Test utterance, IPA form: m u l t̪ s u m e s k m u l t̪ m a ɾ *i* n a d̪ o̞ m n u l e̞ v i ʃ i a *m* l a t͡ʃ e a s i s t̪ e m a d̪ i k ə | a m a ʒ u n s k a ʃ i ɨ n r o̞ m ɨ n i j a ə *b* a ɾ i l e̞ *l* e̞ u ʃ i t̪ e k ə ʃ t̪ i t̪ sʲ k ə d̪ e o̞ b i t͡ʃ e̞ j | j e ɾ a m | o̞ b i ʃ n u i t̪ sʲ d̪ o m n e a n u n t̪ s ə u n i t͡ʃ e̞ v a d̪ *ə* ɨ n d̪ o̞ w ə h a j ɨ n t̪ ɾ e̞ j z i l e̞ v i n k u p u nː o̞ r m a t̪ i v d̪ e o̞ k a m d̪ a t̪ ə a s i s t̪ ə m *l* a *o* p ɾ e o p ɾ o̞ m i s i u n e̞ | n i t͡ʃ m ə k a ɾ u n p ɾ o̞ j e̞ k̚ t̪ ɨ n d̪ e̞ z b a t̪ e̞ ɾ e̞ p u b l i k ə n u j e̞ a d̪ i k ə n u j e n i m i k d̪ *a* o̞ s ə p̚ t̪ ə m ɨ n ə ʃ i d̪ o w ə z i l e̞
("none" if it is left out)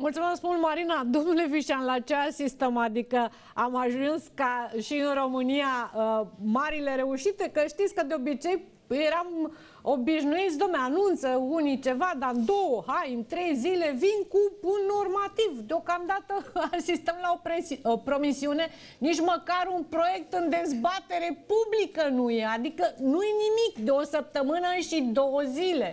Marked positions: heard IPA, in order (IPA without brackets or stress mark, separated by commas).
i, n, m, ɾ, a, l, o, e